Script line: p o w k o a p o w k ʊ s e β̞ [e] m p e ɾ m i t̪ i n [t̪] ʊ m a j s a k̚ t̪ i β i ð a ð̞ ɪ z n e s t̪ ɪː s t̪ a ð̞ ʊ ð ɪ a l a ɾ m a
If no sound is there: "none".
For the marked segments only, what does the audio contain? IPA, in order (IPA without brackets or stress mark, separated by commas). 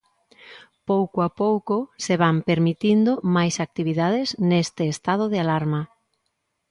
a, d̪